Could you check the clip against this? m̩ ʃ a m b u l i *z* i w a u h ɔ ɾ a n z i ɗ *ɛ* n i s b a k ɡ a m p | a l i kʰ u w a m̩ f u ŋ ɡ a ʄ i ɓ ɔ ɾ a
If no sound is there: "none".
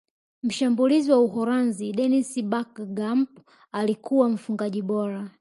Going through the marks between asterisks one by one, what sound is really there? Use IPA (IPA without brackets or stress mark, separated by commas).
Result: z, ɛ